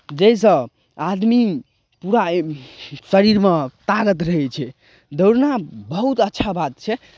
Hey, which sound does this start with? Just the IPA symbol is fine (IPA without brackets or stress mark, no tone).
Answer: d͡ʒ